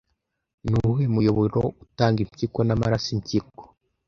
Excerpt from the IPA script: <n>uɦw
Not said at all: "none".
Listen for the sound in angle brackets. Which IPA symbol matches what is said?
n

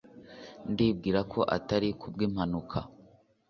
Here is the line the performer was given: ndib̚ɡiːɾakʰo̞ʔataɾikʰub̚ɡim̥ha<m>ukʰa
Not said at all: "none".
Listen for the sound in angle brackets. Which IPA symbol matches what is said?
n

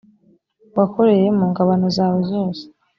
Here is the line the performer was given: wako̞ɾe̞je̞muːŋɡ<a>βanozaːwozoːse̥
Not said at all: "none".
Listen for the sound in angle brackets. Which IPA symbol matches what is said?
a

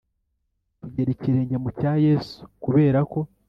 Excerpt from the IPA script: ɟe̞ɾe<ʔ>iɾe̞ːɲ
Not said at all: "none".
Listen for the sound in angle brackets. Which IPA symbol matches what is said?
c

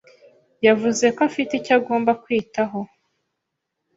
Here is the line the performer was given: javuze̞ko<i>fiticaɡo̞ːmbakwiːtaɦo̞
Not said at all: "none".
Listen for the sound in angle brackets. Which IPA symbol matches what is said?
a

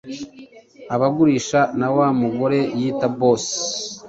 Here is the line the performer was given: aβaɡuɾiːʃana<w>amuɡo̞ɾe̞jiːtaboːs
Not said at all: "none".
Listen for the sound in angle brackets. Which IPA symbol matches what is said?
w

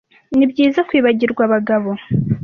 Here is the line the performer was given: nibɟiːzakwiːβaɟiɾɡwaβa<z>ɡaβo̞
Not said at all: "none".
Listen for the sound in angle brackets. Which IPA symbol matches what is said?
none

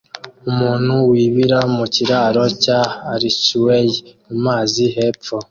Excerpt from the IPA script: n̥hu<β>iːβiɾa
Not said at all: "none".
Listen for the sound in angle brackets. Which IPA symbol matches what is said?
w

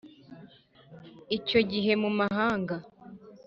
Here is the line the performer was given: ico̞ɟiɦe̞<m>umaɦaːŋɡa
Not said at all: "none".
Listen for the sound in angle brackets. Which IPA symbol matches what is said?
m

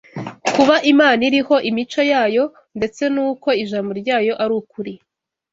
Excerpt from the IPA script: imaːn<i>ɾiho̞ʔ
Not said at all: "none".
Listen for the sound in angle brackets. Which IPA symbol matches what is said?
i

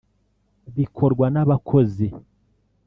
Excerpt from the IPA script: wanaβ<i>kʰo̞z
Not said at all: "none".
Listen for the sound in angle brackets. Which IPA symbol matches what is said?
a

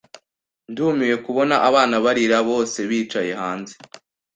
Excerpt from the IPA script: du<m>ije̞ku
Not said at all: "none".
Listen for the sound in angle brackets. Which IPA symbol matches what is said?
m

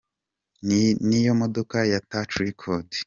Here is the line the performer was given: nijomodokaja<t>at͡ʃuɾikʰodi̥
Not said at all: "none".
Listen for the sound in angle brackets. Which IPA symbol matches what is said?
t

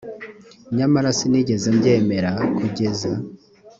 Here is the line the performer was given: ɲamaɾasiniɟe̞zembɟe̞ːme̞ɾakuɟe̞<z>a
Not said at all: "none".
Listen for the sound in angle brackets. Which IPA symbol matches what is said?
z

